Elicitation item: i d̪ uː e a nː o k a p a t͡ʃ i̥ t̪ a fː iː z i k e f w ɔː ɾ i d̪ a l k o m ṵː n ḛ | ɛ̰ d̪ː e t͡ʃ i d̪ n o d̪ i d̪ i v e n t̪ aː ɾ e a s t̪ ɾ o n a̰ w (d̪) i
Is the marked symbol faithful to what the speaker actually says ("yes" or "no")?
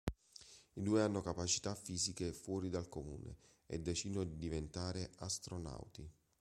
no